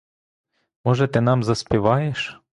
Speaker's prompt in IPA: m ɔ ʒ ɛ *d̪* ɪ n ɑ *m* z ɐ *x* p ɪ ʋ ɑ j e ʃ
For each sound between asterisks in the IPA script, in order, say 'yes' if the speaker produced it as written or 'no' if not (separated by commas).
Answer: no, yes, no